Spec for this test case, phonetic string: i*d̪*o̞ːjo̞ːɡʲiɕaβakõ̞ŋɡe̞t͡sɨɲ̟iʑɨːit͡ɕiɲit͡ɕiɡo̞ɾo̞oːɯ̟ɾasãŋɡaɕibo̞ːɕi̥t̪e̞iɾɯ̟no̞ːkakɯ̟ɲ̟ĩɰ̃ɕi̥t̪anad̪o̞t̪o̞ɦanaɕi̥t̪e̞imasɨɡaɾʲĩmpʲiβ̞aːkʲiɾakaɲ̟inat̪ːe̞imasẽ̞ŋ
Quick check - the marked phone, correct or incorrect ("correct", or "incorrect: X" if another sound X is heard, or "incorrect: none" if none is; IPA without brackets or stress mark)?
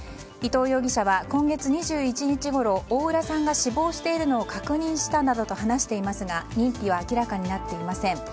incorrect: t̪